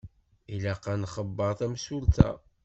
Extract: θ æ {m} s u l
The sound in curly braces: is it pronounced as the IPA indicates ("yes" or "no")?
yes